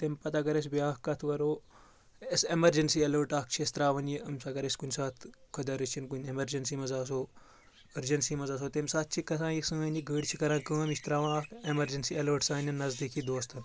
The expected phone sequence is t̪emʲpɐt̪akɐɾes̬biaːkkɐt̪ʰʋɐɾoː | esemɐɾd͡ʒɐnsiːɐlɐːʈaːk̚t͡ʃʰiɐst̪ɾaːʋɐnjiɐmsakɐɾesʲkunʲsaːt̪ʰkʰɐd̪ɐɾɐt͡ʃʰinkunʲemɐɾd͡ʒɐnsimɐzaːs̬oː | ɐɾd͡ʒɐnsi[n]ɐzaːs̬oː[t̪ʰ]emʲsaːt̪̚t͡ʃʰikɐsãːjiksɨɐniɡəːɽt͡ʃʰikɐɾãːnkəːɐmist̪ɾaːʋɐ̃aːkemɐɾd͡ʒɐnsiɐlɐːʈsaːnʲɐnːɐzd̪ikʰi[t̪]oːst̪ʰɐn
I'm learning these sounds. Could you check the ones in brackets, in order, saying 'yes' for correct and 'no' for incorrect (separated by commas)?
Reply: no, no, no